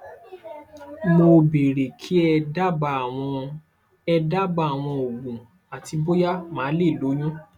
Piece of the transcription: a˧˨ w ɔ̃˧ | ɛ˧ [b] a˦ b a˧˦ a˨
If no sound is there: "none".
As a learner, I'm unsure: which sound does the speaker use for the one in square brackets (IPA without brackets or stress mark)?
d